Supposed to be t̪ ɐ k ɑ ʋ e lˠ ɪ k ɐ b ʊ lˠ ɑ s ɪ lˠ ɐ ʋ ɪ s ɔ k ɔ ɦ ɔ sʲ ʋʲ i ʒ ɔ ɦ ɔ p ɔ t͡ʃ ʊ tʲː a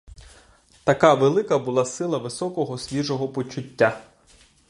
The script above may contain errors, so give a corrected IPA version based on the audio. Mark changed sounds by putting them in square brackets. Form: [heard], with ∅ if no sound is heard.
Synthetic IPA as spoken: t̪ ɐ k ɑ ʋ e lˠ ɪ k ɐ b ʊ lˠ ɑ s ɪ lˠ ɐ ʋ ɪ s ɔ k ɔ ɦ ɔ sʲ ʋʲ i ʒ ɔ ɦ ɔ p ɔ t͡ʃ ʊ tʲː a